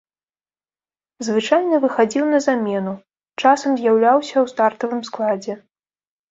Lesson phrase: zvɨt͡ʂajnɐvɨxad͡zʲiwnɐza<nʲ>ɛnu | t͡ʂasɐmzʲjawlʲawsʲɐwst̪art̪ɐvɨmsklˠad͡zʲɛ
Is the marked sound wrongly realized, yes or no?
yes